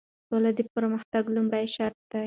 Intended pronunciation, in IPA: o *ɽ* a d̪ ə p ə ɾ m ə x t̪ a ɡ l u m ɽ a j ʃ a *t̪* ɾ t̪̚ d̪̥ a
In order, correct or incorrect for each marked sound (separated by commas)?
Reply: incorrect, incorrect